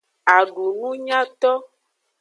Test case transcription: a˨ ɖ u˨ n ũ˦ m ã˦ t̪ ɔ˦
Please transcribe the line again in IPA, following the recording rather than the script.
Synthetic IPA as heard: a˨ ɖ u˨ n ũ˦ ɲ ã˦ t̪ ɔ˦